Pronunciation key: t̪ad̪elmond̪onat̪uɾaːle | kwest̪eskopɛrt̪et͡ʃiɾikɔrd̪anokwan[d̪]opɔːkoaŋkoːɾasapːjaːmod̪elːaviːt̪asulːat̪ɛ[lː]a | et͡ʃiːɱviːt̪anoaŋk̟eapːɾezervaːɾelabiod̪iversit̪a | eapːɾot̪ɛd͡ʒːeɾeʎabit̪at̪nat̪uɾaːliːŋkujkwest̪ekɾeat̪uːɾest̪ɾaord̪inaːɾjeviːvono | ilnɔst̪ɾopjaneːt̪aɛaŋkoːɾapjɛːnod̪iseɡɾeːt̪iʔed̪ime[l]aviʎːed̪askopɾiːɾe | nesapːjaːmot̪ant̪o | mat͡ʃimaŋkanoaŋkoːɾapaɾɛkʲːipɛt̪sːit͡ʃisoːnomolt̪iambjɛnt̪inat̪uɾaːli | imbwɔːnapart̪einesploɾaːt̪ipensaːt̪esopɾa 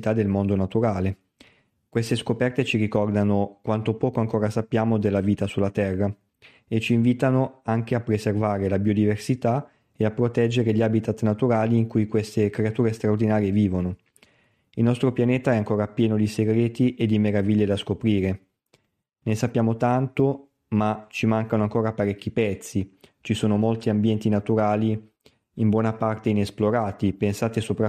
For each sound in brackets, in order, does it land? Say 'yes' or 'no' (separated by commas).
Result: no, no, no